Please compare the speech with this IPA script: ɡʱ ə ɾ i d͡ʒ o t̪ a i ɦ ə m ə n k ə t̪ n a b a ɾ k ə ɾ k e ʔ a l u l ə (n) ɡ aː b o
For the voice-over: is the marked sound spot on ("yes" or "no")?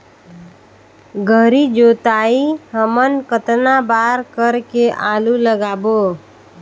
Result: no